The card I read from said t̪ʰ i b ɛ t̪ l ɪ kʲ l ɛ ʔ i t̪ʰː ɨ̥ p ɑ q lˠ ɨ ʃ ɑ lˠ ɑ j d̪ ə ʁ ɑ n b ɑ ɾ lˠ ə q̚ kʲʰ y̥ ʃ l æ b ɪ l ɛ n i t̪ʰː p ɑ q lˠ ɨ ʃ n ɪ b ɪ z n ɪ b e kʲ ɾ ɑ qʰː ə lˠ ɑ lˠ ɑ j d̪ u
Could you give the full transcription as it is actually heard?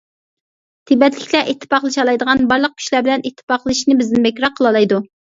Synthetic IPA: t̪ʰ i b ɛ t̪ l ɪ kʲ l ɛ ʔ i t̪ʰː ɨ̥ p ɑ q lˠ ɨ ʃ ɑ lˠ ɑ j d̪ ə ʁ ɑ n b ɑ ɾ lˠ ə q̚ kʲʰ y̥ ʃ l æ b ɪ l ɛ n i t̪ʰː p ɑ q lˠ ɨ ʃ n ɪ b ɪ z n ɪ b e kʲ ɾ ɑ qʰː ə lˠ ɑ lˠ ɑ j d̪ u